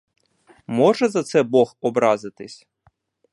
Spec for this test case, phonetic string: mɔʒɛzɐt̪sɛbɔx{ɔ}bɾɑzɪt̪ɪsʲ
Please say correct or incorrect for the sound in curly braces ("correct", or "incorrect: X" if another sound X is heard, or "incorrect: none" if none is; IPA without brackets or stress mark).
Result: correct